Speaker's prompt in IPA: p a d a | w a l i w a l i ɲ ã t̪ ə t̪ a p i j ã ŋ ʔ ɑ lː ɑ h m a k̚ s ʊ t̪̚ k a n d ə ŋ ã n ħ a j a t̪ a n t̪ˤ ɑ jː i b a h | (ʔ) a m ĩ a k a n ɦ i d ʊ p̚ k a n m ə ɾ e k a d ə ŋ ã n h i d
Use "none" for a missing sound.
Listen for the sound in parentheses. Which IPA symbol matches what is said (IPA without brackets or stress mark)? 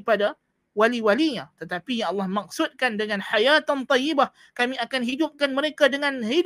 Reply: k